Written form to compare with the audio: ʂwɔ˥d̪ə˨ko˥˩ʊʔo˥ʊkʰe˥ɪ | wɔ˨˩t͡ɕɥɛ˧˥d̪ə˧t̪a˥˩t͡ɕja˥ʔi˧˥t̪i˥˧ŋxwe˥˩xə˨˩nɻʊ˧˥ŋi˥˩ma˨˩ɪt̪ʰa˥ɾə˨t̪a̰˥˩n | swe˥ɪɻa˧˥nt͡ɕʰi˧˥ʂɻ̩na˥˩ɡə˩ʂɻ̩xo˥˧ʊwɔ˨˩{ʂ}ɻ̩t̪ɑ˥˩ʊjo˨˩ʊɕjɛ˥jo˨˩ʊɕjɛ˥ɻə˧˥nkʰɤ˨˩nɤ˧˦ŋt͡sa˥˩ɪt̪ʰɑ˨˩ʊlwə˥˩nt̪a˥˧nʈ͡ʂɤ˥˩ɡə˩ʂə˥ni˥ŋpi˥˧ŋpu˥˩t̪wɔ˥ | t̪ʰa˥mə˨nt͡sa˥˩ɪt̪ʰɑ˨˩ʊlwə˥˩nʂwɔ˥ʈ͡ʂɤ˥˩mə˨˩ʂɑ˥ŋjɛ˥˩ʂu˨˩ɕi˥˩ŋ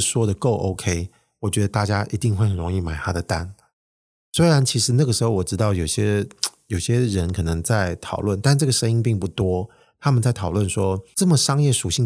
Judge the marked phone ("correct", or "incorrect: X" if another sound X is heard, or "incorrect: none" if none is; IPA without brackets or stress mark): incorrect: ʈ͡ʂ